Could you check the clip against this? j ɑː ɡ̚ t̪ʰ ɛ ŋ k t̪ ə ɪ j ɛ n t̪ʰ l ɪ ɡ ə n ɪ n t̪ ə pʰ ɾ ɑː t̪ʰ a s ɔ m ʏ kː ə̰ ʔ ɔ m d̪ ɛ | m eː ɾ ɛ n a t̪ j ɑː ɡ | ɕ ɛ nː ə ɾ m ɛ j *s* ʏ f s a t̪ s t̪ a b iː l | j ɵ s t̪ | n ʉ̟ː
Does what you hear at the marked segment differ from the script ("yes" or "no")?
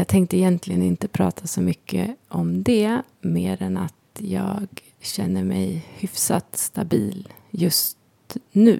yes